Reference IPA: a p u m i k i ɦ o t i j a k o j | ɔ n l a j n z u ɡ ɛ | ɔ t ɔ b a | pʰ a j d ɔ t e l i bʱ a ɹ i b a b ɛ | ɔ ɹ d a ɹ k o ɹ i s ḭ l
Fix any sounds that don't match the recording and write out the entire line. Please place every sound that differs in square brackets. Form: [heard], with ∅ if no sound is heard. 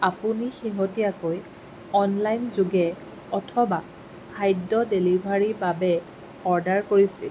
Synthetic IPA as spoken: a p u [n] i [x] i ɦ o t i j a k o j | ɔ n l a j n z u ɡ ɛ | ɔ [tʰ] ɔ b a | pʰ a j d ɔ [d] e l i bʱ a ɹ i b a b ɛ | ɔ ɹ d a ɹ k o ɹ i s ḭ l